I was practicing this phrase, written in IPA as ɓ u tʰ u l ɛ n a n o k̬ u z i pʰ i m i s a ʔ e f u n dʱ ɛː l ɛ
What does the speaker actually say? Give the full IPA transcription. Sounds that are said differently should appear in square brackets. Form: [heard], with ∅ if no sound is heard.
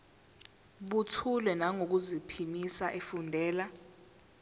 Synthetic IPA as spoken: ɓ u tʰ u l ɛ n a [ŋ] o k̬ u z i pʰ i m i s a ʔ e f u n dʱ ɛː l [a]

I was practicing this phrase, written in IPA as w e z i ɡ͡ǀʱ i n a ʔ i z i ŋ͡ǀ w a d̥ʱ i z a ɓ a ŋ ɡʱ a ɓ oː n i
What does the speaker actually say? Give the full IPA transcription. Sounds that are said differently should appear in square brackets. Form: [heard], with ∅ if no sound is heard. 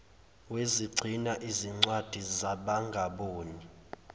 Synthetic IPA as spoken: w e z i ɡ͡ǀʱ i n a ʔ i z i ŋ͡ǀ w a d̥ʱ i z a ɓ a ŋ ɡʱ a ɓ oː n i

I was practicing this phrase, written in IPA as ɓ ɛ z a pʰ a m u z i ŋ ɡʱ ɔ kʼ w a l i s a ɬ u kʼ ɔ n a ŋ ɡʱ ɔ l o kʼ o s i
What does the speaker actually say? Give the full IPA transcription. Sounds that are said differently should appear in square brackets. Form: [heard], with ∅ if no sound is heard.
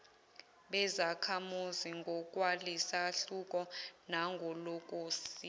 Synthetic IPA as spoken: ɓ ɛ z a [kʰ] a m u z i ŋ ɡʱ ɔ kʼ w a l i s a ɬ u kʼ ɔ n a ŋ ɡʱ ɔ l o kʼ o s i

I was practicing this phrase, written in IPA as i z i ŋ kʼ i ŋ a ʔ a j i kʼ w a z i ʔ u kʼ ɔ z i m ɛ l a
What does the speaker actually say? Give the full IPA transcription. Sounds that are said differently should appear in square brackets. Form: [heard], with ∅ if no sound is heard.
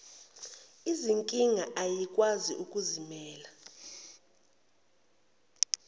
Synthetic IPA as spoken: i z i ŋ kʼ i ŋ a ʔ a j i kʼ w a z i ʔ u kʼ [u] z i m [ɛː] l a

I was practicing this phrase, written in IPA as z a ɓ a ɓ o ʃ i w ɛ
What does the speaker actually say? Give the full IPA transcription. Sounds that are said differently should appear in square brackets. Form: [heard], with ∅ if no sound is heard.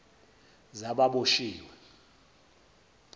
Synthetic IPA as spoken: z a ɓ a ɓ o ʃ [iː] w ɛ

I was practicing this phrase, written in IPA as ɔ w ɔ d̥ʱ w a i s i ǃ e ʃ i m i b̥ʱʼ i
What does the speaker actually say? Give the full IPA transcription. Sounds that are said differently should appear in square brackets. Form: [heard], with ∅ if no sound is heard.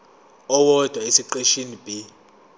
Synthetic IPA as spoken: ɔ w ɔ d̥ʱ w a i s i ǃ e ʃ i [n] i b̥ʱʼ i

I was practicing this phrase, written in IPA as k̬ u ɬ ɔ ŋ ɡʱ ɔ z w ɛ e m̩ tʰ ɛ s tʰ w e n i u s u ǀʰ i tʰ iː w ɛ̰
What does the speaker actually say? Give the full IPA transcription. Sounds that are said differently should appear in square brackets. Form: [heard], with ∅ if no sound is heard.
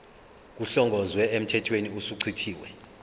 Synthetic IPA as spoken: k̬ u ɬ ɔ ŋ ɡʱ ɔ z w ɛ e m̩ tʰ ɛ [∅] tʰ w e n i u s u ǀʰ i tʰ iː w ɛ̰

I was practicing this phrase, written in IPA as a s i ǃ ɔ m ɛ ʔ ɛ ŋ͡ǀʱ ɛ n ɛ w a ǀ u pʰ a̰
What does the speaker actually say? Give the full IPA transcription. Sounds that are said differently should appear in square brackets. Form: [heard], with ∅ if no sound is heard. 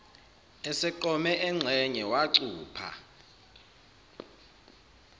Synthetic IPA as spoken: [ɛ] s [ɛ] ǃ ɔ m ɛ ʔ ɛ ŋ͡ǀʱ ɛ [ɲ] ɛ w a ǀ [uː] pʰ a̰

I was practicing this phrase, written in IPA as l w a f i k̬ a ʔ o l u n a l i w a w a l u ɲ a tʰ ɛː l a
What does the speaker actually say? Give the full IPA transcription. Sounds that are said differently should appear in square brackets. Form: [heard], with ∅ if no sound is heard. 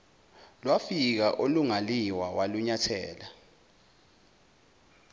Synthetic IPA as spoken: l w a f i k̬ a ʔ o l u [ŋ] a l i w a w a l u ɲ a tʰ ɛː l a

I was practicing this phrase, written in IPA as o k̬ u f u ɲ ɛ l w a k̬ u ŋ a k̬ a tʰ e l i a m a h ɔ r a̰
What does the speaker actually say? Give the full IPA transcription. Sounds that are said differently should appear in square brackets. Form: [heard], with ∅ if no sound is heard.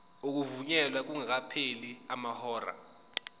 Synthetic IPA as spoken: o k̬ u [v] u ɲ ɛ l w a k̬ u ŋ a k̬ a [pʰ] e l i a m a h [ɔː] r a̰

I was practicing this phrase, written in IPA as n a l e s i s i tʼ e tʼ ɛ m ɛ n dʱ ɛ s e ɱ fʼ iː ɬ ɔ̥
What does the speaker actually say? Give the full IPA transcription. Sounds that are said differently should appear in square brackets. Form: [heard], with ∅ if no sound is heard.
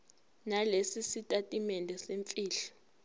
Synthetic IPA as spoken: n a l e s i s i tʼ [a] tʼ [i] m ɛ n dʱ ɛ s e ɱ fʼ iː ɬ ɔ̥

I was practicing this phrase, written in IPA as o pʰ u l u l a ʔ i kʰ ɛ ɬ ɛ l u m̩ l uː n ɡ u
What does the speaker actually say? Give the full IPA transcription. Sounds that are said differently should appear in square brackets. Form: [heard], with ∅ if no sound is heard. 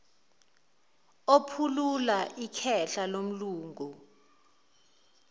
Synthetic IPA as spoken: o pʰ u l u l a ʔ i kʰ ɛ ɬ [a] l [o] m̩ l uː [ŋ] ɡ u

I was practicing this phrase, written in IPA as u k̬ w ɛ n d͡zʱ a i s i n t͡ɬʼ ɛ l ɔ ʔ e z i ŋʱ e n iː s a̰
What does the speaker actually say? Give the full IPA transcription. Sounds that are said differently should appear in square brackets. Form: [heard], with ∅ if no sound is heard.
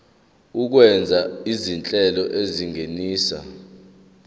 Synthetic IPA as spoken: u k̬ w ɛ n d͡zʱ a i [z] i n t͡ɬʼ ɛ l ɔ ʔ e z i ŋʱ e n iː s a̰

